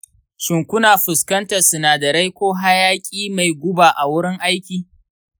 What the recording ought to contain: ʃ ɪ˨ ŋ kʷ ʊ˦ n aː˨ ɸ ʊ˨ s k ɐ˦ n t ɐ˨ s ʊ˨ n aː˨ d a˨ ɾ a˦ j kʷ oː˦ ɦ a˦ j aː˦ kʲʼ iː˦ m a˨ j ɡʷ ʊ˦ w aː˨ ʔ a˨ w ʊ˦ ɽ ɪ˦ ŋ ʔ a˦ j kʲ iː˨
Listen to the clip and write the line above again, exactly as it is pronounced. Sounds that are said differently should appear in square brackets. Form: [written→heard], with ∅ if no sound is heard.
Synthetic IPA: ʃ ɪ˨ ŋ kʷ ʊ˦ n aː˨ ɸ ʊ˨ s k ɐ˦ n t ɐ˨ s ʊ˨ n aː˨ d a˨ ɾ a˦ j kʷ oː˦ ɦ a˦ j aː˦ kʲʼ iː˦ m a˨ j ɡʷ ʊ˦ [w→b] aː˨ ʔ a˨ w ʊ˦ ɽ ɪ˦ ŋ ʔ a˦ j kʲ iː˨

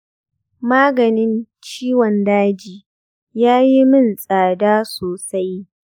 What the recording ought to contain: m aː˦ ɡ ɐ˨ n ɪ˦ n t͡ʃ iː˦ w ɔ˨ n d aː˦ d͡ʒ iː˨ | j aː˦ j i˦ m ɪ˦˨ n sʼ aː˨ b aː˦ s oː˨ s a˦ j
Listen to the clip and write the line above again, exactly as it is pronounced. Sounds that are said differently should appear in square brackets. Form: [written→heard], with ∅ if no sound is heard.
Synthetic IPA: m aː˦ ɡ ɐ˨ n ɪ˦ n t͡ʃ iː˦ w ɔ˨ n d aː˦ d͡ʒ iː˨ | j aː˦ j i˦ m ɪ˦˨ n sʼ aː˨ [b→d] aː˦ s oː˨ s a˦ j

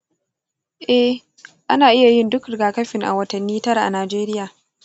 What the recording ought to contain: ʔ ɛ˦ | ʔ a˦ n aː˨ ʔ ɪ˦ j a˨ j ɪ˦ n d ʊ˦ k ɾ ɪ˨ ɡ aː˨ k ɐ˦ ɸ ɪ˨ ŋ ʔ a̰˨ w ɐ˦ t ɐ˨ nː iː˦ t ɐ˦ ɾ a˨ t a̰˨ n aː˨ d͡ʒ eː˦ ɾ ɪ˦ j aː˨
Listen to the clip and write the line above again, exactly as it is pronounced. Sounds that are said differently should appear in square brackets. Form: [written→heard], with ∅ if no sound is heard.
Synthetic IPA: ʔ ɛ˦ | ʔ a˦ n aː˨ ʔ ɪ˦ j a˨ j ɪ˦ n d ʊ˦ k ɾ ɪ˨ ɡ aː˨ k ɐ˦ ɸ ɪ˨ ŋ ʔ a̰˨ w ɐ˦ t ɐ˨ nː iː˦ t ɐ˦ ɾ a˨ [t→ʔ] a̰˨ n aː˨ d͡ʒ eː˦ ɾ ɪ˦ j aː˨

